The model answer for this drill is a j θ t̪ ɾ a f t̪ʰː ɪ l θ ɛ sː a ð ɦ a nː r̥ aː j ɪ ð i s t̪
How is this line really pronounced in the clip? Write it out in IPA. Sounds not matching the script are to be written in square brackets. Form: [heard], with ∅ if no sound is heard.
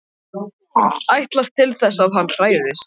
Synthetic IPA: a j [h] t̪ [l] a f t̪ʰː ɪ l θ ɛ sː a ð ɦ a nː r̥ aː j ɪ ð [ɪ] s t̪